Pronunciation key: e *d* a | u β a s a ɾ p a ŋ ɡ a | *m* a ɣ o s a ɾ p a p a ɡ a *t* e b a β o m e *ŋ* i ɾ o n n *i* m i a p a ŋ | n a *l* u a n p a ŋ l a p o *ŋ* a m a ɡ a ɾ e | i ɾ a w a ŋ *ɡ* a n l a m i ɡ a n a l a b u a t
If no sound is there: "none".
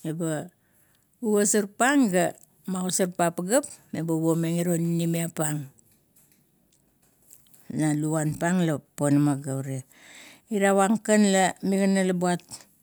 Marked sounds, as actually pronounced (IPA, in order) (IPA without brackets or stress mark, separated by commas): b, m, p, ŋ, i, l, n, k